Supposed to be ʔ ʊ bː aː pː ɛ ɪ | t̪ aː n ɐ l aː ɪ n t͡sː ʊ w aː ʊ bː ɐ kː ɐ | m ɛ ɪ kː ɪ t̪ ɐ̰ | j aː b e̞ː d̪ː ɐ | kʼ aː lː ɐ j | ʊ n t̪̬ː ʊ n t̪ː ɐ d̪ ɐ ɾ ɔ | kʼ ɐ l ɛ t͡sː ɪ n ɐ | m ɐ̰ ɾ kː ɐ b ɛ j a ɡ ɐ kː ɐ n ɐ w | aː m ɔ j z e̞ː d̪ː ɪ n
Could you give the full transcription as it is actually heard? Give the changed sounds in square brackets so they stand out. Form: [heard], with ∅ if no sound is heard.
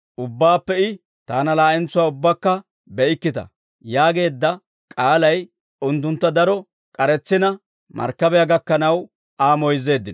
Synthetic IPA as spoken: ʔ ʊ bː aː pː ɛ ɪ | t̪ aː n ɐ l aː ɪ n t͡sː ʊ w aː ʊ bː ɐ kː ɐ | [b] ɛ ɪ kː ɪ t̪ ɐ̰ | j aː [ɡ] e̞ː d̪ː ɐ | kʼ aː [l] ɐ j | ʊ n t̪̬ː ʊ n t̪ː ɐ d̪ ɐ ɾ ɔ | kʼ ɐ [ɾ] ɛ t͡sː ɪ n ɐ | m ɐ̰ ɾ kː ɐ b ɛ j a ɡ ɐ kː ɐ n ɐ w | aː m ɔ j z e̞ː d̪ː ɪ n